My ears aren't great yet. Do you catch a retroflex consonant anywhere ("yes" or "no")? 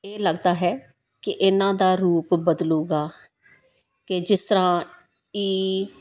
no